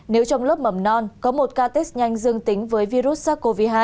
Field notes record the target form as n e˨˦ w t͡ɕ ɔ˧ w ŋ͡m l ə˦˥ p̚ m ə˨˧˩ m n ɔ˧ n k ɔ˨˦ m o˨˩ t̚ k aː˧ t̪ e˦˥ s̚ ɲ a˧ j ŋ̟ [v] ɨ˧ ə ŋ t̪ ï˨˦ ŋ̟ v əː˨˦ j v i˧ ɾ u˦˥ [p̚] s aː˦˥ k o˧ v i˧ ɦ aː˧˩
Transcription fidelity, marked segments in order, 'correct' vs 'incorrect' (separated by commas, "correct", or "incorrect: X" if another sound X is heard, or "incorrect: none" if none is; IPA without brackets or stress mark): incorrect: z, incorrect: t̚